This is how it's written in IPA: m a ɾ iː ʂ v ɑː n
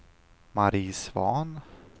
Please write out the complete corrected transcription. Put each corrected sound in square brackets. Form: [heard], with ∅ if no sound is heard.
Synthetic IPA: m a ɾ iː [s] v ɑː n